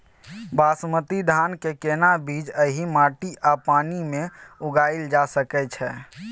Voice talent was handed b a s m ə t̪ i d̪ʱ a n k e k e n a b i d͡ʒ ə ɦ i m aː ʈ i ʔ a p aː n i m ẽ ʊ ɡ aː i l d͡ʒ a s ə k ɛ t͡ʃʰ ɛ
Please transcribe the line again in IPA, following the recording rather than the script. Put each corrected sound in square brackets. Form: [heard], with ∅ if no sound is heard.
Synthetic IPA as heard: b a s m ə t̪ i d̪ʱ a n k e k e n a b i d͡ʒ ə ɦ i m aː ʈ i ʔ a p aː n i m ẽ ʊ ɡ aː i l d͡ʒ a s ə k ɛ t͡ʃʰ ɛ